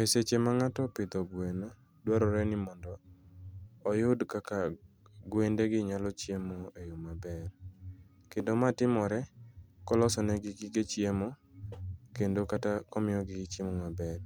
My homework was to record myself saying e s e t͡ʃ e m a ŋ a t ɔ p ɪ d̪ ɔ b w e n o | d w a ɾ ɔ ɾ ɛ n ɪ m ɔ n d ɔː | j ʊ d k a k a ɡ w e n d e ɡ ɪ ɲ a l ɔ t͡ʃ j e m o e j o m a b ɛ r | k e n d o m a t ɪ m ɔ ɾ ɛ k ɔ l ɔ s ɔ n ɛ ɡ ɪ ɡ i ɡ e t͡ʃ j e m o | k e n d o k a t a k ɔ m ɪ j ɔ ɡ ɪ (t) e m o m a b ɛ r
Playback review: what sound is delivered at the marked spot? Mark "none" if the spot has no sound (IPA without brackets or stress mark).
t͡ʃ